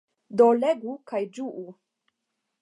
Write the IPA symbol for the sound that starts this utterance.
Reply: d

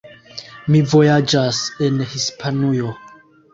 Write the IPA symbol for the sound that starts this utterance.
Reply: m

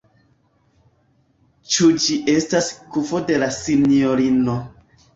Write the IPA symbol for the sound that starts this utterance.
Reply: t͡ʃ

